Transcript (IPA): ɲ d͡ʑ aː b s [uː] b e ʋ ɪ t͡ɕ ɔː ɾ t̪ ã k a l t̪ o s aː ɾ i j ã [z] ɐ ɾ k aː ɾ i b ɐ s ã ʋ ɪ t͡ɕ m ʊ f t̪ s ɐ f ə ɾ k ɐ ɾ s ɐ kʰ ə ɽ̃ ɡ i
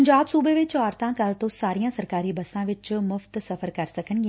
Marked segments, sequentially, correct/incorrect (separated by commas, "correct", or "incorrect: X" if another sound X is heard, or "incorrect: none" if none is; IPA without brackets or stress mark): correct, incorrect: s